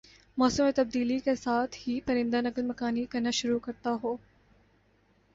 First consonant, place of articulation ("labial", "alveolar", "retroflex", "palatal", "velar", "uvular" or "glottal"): labial